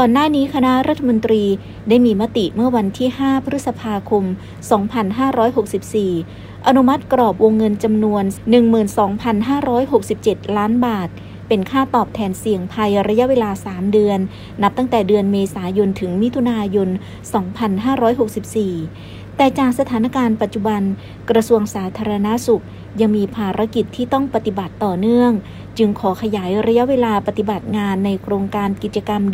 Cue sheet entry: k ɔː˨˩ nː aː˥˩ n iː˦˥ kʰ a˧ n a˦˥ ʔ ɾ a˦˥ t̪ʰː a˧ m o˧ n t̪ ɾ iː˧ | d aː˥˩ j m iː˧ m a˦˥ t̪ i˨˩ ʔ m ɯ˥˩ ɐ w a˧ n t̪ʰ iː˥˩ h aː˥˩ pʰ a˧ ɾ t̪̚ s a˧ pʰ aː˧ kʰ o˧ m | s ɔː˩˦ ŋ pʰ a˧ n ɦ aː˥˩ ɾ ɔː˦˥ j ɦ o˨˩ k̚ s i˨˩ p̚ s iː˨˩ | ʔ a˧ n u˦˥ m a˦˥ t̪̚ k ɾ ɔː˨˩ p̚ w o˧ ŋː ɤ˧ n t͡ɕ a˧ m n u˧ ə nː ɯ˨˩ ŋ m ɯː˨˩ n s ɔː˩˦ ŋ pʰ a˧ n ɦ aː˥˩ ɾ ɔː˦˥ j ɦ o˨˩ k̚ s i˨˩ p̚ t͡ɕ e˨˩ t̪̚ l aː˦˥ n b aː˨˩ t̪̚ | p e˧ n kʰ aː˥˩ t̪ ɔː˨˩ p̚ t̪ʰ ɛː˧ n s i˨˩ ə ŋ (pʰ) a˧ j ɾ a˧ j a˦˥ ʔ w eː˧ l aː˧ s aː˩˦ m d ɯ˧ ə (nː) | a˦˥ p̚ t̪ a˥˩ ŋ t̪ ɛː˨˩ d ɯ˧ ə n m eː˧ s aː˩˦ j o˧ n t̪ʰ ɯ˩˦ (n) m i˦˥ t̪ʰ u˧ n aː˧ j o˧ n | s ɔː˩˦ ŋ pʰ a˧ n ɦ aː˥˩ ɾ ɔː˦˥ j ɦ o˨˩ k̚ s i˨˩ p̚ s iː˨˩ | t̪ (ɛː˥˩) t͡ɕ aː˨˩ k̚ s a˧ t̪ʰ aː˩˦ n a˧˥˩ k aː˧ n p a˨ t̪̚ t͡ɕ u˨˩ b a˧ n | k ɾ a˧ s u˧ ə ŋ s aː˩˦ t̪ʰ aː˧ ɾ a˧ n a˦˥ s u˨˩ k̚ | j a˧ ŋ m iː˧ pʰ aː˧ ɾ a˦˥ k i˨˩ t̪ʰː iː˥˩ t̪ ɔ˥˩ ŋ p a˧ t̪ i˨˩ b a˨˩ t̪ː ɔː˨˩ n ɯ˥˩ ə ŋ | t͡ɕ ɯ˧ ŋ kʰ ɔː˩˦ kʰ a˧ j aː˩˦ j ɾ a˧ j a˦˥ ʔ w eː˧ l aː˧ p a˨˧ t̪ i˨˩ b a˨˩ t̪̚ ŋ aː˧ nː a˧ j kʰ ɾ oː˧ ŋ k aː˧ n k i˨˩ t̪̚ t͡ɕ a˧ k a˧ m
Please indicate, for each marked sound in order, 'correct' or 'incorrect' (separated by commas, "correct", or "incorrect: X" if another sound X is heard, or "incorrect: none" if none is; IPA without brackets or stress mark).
correct, correct, incorrect: ŋ, incorrect: ɛː˨˩